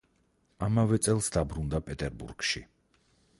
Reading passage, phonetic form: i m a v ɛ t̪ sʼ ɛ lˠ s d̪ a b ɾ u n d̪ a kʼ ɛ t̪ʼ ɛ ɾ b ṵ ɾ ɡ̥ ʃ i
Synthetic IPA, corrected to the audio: a m a v ɛ t̪ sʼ ɛ lˠ s d̪ a b ɾ u n d̪ a pʼ ɛ t̪ʼ ɛ ɾ b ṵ ɾ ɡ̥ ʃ i